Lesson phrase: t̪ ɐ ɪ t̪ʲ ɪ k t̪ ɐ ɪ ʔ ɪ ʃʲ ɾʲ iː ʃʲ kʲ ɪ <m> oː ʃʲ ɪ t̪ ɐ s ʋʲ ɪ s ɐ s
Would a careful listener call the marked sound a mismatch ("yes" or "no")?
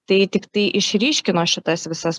yes